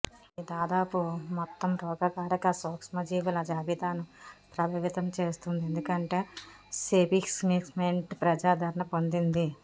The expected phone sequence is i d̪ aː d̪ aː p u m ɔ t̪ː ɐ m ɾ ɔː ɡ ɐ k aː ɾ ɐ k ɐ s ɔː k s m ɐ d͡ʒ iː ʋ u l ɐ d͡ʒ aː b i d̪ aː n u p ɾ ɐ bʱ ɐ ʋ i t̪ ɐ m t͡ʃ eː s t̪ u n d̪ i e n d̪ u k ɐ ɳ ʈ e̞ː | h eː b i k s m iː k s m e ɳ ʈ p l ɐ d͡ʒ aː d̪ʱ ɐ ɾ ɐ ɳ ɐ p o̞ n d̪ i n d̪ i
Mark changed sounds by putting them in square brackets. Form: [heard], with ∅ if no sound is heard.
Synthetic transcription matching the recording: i d̪ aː d̪ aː p u m ɔ t̪ː ɐ m ɾ ɔː ɡ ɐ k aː ɾ ɐ k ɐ s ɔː k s m ɐ d͡ʒ iː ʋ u l ɐ d͡ʒ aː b i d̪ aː n u p ɾ ɐ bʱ ɐ ʋ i t̪ ɐ m t͡ʃ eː s t̪ u n d̪ i e n d̪ u k ɐ ɳ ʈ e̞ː | [s] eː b i k s m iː k s m e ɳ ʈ p [ɾ] ɐ d͡ʒ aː d̪ʱ ɐ ɾ ɐ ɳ ɐ p o̞ n d̪ i n d̪ i